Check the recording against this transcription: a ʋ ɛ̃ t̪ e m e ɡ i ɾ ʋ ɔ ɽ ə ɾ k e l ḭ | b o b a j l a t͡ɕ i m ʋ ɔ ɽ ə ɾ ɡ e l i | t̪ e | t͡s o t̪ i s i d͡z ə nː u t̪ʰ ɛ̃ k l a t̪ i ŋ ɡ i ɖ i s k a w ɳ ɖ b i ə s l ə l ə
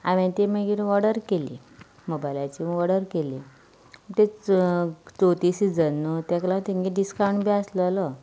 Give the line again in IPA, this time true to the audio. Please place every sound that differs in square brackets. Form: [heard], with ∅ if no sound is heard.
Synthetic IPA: a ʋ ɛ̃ t̪ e m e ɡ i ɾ ʋ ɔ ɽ ə ɾ k e l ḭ | [m] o b a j l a t͡ɕ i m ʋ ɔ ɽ ə ɾ [k] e l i | t̪ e | t͡s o t̪ i s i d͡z ə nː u [t̪] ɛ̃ k l a t̪ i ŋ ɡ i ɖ i s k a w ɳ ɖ b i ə s l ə l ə